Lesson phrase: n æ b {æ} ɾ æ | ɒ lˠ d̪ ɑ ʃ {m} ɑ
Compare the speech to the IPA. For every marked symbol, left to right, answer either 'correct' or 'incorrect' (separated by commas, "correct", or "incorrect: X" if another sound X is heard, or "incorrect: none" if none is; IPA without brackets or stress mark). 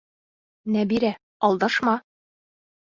incorrect: i, correct